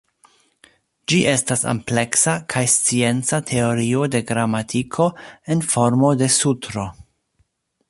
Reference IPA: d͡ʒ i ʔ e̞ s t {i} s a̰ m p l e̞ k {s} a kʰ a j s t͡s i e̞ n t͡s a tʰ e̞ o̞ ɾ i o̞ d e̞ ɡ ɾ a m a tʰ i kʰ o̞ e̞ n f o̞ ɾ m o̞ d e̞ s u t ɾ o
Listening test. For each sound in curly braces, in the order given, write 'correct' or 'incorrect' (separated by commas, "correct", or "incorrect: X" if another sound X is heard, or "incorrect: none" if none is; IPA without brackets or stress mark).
incorrect: a, correct